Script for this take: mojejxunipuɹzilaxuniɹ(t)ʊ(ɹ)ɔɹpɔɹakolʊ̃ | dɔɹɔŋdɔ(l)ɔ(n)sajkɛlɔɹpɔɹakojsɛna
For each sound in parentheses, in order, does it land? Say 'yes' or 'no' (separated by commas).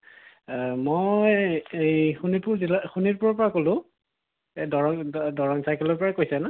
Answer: no, yes, no, no